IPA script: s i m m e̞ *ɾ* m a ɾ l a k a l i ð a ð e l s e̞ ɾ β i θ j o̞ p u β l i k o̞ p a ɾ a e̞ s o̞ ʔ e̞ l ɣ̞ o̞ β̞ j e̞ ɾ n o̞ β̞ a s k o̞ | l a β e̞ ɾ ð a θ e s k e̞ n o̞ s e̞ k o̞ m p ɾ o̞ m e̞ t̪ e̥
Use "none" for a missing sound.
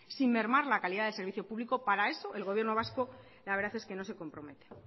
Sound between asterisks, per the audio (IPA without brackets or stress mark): ɾ